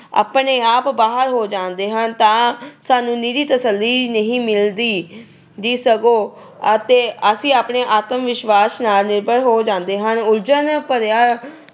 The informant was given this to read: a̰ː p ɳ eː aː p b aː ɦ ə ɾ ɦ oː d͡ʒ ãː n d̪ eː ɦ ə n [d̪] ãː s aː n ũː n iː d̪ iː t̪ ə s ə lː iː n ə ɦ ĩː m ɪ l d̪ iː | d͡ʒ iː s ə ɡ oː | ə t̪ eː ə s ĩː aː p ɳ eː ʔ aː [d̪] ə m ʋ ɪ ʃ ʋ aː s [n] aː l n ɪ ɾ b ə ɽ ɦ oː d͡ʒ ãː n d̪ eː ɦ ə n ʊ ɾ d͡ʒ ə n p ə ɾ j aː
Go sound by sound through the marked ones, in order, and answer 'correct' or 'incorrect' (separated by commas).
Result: incorrect, incorrect, correct